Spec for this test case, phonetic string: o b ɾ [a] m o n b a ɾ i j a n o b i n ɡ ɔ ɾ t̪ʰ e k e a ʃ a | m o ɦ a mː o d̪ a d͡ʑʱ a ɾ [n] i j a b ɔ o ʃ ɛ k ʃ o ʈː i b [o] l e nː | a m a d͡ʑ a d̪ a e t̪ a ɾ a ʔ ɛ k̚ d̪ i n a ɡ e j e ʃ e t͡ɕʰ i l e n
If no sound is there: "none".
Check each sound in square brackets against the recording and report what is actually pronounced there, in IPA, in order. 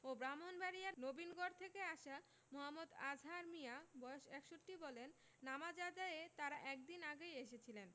a, m, ɔ

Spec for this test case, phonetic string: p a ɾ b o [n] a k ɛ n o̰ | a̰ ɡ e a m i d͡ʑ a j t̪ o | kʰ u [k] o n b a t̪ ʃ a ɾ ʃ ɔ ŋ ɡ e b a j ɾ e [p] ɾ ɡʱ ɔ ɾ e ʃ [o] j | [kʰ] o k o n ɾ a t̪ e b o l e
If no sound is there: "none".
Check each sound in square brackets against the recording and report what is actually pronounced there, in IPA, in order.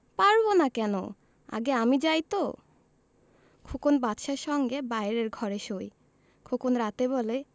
n, k, none, o, kʰ

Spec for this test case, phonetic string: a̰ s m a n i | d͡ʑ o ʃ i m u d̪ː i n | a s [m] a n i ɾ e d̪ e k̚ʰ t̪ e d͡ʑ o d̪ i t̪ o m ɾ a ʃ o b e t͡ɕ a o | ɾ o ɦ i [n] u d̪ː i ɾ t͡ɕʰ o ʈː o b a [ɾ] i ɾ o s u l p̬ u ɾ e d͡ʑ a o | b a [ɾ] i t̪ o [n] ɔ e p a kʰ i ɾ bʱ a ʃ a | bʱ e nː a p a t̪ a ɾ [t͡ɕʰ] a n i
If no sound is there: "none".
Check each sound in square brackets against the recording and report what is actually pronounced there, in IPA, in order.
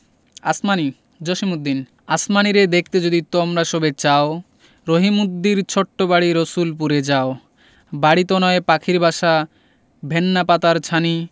m, m, ɽ, ɽ, n, t͡ɕʰ

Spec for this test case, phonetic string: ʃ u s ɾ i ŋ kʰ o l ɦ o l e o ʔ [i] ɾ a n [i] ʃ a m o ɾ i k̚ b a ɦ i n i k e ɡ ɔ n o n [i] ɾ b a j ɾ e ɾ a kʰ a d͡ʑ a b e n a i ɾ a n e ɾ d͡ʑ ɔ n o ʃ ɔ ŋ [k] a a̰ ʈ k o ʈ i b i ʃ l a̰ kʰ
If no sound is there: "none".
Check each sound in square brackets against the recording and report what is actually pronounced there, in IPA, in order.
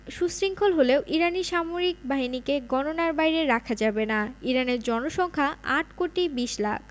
i, i, a, kʰ

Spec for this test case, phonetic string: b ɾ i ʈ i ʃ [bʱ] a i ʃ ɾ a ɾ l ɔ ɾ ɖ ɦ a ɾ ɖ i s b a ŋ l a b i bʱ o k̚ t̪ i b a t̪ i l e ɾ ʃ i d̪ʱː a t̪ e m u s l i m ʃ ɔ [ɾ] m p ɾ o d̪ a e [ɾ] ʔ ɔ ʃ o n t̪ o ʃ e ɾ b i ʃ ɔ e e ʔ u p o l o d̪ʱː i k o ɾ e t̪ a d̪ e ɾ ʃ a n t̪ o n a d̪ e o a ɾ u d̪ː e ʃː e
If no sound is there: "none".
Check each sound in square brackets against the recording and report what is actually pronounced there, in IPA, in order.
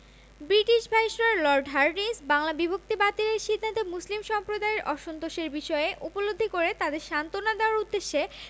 bʱ, none, ɾ

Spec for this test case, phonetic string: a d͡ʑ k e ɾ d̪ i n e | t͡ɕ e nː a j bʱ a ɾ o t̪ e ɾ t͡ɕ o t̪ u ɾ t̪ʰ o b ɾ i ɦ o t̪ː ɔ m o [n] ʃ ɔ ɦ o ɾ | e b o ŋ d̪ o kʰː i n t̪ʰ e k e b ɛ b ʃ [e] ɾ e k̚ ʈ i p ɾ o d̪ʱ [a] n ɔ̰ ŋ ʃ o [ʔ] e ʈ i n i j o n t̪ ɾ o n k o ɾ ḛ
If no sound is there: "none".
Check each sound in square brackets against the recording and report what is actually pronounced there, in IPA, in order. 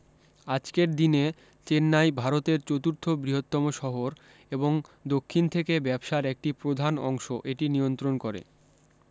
none, a, a, ʔ

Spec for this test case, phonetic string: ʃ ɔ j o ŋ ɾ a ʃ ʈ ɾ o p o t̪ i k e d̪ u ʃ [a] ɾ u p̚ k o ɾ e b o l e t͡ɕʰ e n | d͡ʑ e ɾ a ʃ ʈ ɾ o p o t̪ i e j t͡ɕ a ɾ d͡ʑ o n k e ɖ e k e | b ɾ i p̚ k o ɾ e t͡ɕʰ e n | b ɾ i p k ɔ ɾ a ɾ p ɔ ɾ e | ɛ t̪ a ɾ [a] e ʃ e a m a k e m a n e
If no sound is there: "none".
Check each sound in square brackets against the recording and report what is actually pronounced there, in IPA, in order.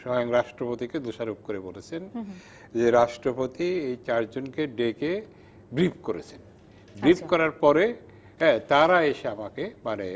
a, a

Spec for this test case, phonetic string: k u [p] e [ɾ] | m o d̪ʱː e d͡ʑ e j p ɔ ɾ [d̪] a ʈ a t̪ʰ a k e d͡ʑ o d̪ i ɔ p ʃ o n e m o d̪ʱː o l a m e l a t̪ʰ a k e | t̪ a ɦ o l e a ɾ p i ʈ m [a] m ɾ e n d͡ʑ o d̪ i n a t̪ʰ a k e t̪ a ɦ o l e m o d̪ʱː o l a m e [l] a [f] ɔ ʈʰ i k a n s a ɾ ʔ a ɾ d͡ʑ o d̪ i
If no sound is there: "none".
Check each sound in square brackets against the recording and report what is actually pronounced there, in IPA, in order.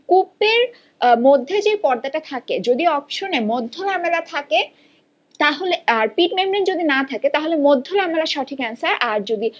p, ɾ, d̪, e, l, ʃ

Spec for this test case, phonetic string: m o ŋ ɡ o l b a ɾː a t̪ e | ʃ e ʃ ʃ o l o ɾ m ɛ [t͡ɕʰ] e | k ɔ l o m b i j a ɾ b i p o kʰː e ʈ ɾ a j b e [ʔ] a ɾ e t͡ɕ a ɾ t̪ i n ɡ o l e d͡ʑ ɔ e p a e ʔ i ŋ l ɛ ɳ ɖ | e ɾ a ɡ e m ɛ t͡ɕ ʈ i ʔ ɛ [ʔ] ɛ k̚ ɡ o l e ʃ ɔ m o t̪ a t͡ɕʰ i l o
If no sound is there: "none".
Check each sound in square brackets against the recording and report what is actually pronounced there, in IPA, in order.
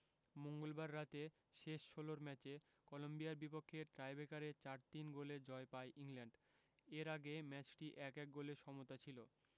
t͡ɕ, k, k

